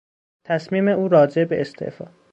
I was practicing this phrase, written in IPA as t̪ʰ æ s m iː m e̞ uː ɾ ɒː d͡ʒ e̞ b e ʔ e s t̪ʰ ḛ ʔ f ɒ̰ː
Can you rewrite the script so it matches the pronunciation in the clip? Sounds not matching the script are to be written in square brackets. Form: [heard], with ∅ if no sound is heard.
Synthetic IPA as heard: t̪ʰ æ s m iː m e̞ uː ɾ ɒː d͡ʒ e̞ b e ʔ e s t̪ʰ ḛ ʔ f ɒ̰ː